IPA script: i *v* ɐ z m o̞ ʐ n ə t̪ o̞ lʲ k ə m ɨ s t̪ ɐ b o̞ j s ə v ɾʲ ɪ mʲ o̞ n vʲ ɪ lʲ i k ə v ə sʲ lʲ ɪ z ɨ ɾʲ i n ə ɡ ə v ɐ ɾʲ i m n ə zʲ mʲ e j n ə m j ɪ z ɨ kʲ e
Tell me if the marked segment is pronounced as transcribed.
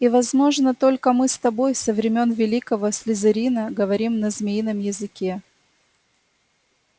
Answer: yes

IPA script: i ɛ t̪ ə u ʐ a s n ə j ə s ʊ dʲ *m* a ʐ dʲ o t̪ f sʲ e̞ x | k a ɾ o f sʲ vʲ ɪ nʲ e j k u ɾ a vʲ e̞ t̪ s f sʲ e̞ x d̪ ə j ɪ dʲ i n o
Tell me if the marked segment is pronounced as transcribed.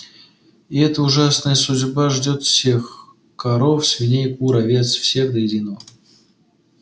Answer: no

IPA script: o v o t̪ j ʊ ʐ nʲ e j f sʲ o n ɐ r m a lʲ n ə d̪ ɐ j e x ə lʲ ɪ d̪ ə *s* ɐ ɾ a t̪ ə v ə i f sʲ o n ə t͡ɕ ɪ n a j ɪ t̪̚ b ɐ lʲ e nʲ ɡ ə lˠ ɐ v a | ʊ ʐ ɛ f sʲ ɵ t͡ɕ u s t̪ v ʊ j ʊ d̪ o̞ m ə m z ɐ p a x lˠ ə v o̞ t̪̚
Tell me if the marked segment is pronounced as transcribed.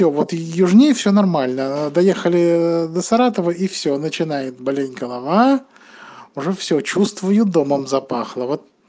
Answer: yes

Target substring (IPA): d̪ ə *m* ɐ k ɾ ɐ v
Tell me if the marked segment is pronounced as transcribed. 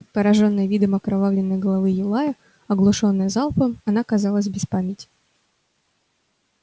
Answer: yes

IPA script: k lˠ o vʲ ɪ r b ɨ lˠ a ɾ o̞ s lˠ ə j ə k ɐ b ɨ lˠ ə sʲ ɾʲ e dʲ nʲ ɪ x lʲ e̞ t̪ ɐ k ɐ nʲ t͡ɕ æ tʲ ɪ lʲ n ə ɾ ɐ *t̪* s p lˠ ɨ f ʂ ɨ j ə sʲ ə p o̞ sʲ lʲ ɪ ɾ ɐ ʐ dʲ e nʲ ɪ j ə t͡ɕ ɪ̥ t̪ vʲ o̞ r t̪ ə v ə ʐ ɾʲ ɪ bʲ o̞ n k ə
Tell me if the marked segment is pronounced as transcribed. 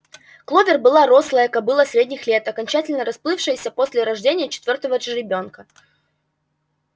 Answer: no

